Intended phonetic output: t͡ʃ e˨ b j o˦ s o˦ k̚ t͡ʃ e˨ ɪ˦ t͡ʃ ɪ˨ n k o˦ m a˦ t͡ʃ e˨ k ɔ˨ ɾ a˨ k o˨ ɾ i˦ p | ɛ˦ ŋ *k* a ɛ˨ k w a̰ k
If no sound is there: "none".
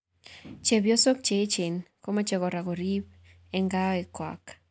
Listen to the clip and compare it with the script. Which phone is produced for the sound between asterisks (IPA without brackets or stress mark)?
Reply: ɡ